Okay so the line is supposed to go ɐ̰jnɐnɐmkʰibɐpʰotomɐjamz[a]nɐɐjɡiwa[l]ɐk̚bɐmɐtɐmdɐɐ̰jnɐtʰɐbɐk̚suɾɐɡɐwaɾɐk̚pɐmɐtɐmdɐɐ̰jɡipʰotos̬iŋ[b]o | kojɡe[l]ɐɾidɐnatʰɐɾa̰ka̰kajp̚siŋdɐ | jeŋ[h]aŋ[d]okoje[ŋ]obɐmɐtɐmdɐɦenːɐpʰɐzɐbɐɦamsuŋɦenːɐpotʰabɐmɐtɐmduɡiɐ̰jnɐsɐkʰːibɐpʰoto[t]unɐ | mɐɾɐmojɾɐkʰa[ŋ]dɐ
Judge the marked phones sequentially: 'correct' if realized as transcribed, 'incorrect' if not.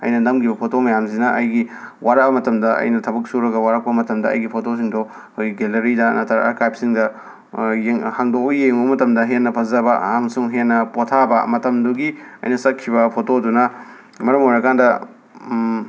incorrect: i, incorrect: ɾ, incorrect: d, correct, correct, correct, correct, incorrect: d, incorrect: n

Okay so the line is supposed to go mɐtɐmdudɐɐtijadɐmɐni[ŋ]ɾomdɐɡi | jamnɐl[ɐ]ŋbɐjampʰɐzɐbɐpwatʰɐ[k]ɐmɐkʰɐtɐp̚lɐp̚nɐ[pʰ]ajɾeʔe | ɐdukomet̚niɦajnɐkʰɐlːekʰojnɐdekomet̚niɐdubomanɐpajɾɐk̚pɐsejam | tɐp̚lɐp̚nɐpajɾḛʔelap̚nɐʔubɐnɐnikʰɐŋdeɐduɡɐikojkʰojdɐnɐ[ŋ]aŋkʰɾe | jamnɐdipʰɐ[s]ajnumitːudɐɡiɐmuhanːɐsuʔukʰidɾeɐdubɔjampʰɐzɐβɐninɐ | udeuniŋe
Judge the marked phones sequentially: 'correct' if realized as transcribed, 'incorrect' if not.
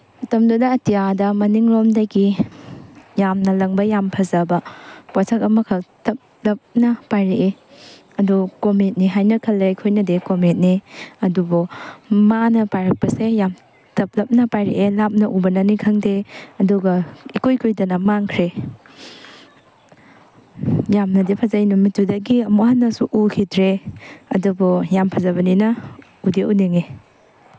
correct, correct, correct, incorrect: p, incorrect: m, incorrect: z

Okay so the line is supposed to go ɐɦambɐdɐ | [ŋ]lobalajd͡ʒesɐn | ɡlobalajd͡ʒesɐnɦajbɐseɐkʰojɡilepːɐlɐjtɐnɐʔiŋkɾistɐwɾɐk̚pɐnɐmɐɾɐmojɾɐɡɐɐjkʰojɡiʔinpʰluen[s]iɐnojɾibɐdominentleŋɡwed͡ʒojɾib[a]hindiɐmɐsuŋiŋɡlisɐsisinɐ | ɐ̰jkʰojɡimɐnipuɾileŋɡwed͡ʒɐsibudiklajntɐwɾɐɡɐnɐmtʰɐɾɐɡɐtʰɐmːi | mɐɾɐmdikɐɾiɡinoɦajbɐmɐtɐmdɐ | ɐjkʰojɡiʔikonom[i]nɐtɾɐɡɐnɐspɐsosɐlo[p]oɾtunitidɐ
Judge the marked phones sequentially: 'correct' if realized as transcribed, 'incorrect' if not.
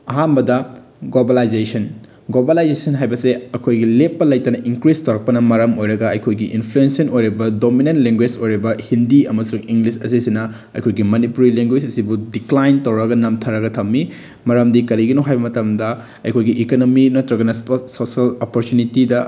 incorrect: ɡ, correct, incorrect: ɐ, correct, correct

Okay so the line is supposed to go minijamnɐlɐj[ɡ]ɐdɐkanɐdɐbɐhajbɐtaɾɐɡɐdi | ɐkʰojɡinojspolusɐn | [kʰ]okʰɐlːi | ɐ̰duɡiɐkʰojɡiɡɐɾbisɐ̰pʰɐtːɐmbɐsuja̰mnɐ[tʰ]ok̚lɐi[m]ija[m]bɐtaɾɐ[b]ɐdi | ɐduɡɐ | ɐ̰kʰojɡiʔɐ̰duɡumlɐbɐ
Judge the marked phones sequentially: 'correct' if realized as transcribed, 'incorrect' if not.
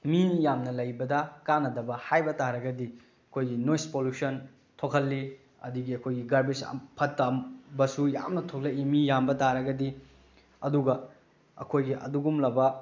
incorrect: b, incorrect: tʰ, correct, correct, correct, incorrect: ɡ

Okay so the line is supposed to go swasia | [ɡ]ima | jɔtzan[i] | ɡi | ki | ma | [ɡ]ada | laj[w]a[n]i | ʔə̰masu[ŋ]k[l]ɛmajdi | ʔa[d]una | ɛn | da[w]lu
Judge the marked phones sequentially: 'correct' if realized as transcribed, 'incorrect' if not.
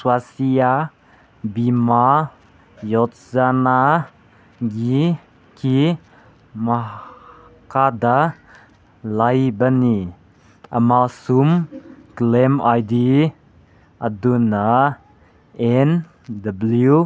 incorrect: b, incorrect: a, incorrect: k, incorrect: b, correct, incorrect: m, correct, correct, incorrect: b

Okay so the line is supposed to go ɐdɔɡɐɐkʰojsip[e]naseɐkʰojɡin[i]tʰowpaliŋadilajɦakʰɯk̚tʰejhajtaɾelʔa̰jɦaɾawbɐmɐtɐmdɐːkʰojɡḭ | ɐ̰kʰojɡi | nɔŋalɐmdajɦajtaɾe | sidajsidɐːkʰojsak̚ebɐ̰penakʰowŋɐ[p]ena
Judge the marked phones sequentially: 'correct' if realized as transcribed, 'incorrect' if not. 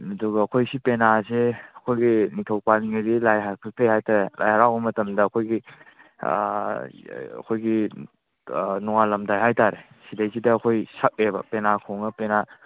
correct, correct, correct

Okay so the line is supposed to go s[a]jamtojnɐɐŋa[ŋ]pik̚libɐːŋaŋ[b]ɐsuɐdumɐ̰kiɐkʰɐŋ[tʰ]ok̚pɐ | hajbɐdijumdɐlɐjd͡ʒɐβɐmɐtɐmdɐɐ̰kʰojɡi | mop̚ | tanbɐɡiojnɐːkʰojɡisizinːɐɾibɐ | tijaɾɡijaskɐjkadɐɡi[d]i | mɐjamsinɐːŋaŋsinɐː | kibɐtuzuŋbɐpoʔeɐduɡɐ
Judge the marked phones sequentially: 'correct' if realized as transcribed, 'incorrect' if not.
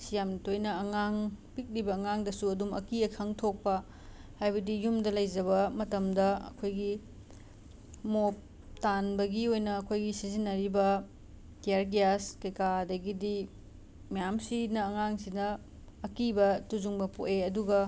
incorrect: i, correct, incorrect: d, correct, correct

